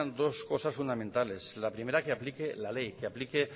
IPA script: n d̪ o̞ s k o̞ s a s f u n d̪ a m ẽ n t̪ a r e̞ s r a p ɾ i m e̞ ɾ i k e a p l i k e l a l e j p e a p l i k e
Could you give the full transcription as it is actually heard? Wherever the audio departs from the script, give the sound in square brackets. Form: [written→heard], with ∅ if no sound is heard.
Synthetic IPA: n d̪ o̞ s k o̞ s a s f u n d̪ a m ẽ n t̪ a [r→l] e̞ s [r→l] a p ɾ i m e̞ ɾ [i→a] k e a p l i k e l a l e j [p→k] e a p l i k e